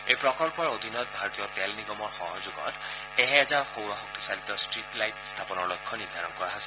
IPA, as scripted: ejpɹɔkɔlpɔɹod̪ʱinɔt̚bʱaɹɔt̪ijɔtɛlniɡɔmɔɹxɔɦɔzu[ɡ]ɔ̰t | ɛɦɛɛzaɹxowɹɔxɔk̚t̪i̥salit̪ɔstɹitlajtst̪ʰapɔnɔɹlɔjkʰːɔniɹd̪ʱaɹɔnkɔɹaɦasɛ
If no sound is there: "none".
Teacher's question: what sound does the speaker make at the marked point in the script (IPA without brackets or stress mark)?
ɡ